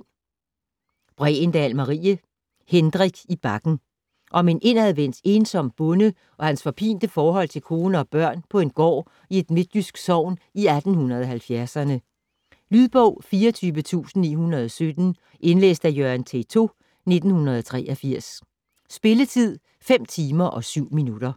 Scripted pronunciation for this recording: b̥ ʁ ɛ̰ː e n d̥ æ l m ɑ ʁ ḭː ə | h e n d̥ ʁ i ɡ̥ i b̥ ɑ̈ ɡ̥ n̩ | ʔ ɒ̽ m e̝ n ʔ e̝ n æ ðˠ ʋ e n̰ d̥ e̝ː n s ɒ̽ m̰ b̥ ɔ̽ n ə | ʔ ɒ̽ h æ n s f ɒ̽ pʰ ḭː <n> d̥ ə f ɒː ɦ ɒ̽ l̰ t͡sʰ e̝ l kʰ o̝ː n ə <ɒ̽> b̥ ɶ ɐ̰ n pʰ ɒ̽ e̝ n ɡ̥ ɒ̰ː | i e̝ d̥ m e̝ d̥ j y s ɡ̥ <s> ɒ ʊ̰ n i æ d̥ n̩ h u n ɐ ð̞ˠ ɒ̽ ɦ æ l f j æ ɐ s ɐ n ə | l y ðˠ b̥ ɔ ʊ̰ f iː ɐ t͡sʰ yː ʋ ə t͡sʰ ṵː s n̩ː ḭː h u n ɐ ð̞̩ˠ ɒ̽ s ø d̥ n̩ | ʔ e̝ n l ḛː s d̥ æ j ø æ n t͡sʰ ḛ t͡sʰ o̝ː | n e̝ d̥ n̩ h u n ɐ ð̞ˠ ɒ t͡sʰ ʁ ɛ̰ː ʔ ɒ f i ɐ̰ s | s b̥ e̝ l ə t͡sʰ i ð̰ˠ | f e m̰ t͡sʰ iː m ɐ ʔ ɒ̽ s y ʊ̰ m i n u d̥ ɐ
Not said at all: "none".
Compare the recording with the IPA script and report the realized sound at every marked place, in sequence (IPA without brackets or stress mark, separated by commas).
n, ɒ̽, s